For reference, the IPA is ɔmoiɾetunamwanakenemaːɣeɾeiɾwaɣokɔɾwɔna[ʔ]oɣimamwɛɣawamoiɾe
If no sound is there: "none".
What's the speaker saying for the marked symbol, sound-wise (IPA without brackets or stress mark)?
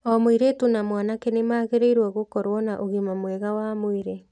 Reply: ʔ